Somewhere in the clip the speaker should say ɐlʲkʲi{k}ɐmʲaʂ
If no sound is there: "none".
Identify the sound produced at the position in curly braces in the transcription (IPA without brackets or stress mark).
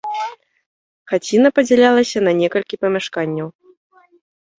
p